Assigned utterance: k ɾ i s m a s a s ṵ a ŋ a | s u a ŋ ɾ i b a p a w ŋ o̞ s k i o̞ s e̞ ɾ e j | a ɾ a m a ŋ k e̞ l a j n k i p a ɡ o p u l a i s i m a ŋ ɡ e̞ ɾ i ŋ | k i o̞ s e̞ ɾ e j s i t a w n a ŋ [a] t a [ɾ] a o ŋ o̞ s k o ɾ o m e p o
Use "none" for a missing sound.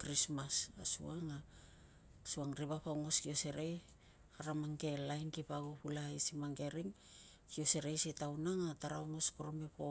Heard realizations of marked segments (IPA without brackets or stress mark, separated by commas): a, ɾ